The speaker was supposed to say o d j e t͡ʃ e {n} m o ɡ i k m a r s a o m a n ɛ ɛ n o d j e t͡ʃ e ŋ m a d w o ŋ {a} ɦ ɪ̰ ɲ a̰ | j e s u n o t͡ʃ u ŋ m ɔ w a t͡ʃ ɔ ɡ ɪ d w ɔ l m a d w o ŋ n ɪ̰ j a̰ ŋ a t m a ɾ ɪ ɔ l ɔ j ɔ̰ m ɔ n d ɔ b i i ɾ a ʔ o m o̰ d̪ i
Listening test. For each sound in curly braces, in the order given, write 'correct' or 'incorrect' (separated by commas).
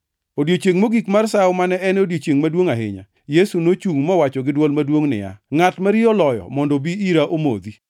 incorrect, correct